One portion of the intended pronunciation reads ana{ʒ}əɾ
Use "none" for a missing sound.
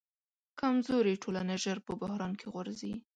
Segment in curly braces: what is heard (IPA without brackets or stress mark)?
ʒ